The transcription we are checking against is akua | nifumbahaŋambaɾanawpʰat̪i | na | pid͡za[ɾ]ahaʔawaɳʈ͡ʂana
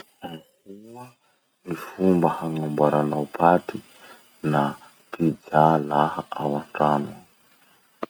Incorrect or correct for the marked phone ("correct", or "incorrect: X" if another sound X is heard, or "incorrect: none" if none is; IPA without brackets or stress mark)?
incorrect: l